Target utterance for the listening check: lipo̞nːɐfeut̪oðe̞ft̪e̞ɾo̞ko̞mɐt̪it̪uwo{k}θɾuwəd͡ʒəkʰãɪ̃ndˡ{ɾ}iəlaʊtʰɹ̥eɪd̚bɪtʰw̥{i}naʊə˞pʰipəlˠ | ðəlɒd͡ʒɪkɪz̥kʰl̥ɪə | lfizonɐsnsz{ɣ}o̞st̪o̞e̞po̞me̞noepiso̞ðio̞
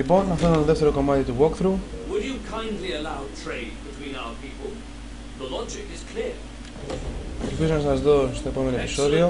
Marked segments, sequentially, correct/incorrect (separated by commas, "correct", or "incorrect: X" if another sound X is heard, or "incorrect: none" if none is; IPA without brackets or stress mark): correct, incorrect: l, incorrect: ĩ, incorrect: ð